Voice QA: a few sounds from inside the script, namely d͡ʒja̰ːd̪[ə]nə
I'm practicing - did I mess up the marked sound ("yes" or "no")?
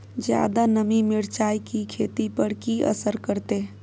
yes